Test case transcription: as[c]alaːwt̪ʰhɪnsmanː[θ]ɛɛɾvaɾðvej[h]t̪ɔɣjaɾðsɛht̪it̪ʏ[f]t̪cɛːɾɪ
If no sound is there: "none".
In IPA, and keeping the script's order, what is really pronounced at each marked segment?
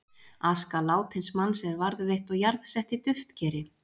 k, s, h, f

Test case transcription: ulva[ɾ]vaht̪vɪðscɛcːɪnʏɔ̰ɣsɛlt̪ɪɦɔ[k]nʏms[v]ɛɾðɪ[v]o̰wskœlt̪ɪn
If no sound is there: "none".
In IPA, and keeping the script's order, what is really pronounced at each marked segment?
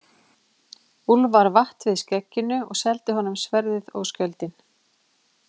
ɾ, none, v, ð

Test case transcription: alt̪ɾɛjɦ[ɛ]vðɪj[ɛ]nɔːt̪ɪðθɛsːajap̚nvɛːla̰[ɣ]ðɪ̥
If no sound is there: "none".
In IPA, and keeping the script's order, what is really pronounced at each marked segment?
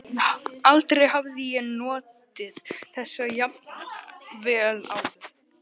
a, ɛ, w

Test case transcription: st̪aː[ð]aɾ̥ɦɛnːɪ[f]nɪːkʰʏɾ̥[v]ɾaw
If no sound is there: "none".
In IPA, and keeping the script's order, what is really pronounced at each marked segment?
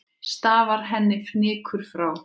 v, f, f

